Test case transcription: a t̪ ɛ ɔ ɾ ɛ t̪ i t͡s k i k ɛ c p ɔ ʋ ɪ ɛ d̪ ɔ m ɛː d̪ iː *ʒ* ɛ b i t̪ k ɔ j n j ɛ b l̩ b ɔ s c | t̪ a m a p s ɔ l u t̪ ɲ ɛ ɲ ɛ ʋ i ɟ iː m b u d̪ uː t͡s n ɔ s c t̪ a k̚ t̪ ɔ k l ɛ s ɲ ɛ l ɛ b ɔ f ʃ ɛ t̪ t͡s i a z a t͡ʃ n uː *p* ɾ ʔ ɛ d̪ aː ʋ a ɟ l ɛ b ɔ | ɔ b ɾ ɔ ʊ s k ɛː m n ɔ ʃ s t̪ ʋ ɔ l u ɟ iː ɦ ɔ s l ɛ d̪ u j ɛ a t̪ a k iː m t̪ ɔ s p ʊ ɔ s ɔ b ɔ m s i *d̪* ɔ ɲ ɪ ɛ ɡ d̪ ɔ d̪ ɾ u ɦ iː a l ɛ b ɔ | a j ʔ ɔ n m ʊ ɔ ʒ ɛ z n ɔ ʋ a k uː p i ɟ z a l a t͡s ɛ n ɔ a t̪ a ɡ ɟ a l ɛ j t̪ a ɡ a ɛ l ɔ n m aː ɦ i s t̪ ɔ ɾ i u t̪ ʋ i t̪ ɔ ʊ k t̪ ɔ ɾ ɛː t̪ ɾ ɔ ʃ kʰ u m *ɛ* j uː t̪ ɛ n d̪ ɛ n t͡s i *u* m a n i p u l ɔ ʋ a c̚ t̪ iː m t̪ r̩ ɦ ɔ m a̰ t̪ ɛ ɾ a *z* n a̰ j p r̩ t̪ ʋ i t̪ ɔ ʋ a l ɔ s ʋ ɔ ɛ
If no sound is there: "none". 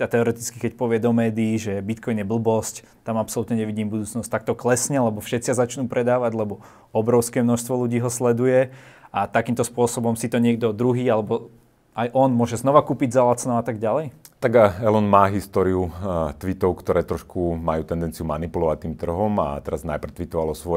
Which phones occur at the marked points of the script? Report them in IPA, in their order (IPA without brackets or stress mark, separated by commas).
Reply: ʒ, p, t̪, a, u, z